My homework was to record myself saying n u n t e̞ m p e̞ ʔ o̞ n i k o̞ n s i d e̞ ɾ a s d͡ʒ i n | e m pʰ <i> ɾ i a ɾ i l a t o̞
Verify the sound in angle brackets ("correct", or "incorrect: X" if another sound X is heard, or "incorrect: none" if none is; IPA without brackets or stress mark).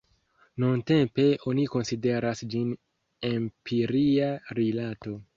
correct